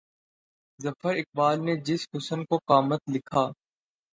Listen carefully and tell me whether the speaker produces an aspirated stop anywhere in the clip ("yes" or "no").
yes